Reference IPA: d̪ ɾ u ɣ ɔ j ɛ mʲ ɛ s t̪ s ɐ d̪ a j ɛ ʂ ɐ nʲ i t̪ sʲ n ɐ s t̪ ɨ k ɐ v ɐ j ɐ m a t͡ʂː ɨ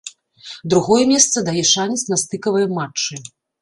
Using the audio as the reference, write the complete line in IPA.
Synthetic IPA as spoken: d̪ ɾ u ɣ ɔ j ɛ mʲ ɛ s t̪ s ɐ d̪ a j ɛ ʂ a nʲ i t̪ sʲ n ɐ s t̪ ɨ k ɐ v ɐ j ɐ m a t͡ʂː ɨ